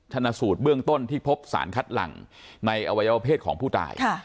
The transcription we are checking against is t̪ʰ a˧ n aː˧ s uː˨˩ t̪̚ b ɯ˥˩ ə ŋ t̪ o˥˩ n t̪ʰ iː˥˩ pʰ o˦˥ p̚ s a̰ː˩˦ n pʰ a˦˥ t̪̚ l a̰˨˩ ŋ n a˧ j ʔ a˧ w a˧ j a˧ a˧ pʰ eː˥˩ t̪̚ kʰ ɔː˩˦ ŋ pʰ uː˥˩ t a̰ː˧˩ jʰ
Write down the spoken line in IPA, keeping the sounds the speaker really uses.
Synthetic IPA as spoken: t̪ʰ a˧ n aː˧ s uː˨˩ t̪̚ b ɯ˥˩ ə ŋ t̪ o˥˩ n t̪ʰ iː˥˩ pʰ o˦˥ p̚ s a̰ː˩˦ n kʰ a˦˥ t̪̚ l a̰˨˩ ŋ n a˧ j ʔ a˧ w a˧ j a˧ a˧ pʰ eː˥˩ t̪̚ kʰ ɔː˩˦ ŋ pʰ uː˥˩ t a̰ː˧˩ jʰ